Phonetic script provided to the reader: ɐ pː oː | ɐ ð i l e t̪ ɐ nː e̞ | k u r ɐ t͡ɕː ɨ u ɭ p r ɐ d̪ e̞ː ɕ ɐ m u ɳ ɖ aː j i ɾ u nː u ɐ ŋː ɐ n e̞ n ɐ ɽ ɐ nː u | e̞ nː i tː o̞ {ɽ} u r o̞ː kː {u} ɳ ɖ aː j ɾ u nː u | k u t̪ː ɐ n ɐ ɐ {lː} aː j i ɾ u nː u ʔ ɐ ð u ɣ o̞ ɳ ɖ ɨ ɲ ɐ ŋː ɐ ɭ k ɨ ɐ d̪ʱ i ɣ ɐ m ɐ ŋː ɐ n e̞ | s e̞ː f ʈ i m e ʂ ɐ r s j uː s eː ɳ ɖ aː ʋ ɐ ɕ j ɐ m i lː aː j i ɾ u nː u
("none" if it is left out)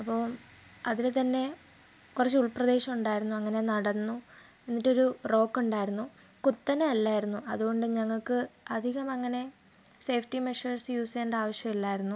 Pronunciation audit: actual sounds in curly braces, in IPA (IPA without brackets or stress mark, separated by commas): ɾ, u, lː